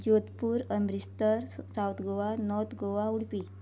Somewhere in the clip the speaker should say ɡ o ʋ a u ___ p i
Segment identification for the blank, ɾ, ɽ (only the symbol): ɽ